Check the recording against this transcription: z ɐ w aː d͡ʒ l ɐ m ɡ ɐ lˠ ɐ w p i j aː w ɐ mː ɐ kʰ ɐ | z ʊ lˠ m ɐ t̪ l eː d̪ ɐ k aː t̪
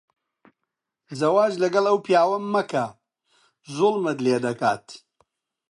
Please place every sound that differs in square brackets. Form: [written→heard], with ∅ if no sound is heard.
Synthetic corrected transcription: z ɐ w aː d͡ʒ l ɐ [m→∅] ɡ ɐ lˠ ɐ w p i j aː w ɐ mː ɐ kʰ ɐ | z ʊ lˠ m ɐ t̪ l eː d̪ ɐ k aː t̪